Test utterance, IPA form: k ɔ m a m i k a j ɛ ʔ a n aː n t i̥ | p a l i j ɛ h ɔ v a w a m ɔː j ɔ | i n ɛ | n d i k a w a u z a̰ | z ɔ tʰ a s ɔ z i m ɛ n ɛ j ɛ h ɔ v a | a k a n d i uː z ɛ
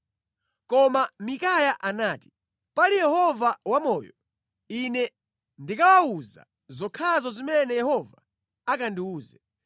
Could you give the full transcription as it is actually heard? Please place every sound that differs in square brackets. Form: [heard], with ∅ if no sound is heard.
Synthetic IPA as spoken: k ɔ m a m i k a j [a] ʔ a n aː [∅] t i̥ | p a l i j ɛ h ɔ v a w a m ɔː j ɔ | i n ɛ | n d i k a w a u z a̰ | z ɔ [kʰ] a [z] ɔ z i m ɛ n ɛ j ɛ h ɔ v a | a k a n d i uː z ɛ